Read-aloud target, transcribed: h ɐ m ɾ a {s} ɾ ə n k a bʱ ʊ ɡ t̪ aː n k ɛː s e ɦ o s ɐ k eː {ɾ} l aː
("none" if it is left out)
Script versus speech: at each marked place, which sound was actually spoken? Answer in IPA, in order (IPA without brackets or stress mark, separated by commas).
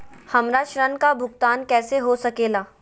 ʃ, none